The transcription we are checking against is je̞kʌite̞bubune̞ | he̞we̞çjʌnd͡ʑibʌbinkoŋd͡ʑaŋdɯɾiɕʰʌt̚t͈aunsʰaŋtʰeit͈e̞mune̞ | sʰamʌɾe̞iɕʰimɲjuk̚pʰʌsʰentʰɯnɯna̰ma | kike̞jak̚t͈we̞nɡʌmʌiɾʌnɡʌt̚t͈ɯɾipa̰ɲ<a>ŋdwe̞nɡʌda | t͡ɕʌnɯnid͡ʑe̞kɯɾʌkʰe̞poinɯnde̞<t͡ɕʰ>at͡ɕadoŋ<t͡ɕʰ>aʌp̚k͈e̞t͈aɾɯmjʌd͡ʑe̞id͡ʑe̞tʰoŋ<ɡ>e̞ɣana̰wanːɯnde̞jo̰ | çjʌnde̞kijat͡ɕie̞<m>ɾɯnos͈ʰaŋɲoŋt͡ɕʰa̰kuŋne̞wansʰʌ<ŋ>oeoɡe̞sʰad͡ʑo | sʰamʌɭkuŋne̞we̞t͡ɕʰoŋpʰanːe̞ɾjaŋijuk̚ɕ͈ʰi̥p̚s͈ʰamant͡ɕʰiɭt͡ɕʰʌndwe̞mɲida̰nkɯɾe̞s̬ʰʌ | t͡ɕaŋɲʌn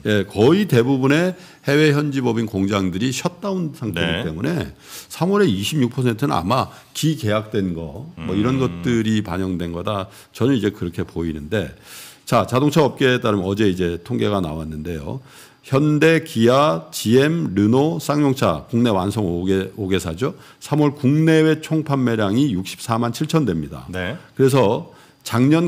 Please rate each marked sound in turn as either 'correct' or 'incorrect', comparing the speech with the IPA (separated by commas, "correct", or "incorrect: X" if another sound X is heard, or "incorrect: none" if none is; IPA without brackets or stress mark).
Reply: incorrect: ʌ, incorrect: t͡ɕ, correct, correct, correct, correct